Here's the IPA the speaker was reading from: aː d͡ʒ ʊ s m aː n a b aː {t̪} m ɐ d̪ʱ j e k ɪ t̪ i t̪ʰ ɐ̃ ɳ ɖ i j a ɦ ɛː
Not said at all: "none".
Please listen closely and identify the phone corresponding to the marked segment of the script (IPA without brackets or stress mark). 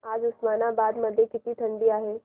d̪